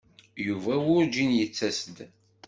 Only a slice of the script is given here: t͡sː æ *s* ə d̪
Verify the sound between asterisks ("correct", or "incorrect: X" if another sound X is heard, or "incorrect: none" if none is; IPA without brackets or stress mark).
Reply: correct